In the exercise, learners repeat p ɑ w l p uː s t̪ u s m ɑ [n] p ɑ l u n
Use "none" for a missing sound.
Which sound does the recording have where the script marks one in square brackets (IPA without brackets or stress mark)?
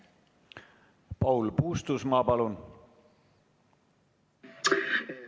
none